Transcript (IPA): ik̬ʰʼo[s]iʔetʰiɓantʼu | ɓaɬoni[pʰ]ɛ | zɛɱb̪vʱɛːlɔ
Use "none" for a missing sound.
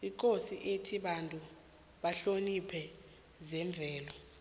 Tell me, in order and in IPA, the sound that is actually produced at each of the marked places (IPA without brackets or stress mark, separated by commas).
s, pʰ